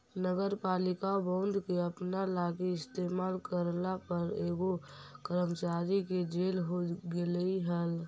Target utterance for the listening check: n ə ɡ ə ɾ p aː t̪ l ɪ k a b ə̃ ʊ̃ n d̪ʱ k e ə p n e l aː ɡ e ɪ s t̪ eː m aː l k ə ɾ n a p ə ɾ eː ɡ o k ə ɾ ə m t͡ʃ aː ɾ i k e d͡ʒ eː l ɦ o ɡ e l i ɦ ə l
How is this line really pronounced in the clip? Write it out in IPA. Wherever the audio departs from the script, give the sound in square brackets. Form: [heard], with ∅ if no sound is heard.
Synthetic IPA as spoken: n ə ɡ ə ɾ p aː [∅] l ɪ k a b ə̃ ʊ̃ n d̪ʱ k e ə p n [a] l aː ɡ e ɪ s t̪ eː m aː l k ə ɾ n a p ə ɾ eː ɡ o k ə ɾ ə m t͡ʃ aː ɾ i k e d͡ʒ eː l ɦ o ɡ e l i ɦ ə l